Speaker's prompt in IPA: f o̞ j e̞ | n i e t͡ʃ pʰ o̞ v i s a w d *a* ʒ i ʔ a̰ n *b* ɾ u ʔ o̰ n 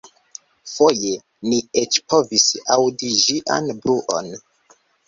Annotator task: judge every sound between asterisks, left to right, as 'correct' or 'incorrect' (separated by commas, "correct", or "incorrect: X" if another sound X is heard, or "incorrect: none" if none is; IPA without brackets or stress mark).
incorrect: i, correct